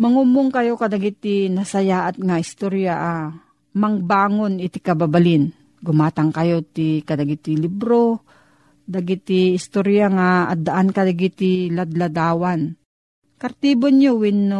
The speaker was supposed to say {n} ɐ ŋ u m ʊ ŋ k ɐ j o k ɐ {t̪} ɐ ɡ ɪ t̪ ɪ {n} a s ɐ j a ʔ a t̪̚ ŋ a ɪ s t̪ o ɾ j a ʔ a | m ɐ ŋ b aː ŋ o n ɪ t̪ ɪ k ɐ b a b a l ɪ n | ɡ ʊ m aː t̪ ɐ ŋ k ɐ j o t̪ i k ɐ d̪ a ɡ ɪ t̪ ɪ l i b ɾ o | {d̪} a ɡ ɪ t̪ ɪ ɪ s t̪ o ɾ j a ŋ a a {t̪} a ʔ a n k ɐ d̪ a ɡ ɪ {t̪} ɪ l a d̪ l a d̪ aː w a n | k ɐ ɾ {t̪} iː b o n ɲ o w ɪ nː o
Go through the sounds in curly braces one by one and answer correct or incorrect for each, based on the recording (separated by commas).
incorrect, incorrect, correct, correct, incorrect, correct, correct